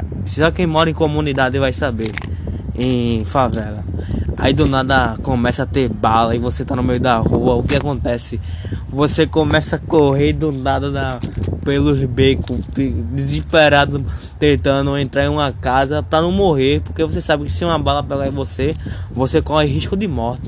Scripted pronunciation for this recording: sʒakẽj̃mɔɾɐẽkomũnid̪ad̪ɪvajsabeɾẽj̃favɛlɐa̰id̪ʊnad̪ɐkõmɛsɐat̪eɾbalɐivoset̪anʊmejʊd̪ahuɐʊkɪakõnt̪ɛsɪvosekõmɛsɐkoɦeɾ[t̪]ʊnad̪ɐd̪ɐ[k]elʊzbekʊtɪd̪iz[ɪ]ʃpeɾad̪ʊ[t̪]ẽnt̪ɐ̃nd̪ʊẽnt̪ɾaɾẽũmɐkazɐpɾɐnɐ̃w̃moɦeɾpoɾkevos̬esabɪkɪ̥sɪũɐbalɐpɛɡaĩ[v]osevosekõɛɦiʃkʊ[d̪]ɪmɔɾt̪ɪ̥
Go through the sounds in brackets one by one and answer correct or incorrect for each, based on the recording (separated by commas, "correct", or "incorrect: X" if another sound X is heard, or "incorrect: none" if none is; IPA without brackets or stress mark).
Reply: incorrect: d̪, incorrect: p, incorrect: i, correct, correct, correct